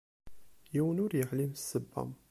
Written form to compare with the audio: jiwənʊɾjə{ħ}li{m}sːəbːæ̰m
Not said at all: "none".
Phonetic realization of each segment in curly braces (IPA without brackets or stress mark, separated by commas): ħ, m